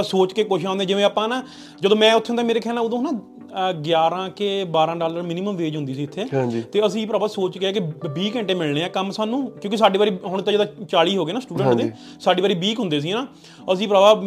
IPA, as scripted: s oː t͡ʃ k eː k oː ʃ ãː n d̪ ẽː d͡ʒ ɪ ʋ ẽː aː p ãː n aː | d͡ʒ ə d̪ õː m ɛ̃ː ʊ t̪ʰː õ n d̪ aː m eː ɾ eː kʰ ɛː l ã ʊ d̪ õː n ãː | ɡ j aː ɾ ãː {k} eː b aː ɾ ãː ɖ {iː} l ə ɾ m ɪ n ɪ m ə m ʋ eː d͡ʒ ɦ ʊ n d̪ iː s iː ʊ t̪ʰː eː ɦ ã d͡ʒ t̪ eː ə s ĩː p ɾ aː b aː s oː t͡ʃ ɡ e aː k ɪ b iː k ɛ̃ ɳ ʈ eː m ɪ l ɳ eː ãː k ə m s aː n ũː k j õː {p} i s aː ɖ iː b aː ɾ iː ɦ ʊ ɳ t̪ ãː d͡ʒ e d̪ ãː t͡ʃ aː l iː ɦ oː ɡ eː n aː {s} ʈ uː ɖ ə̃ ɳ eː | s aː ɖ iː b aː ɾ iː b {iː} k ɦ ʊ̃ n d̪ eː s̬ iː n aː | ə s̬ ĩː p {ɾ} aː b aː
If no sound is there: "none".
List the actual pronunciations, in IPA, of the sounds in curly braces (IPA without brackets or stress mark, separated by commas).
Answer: k, aː, k, s, iː, ɾ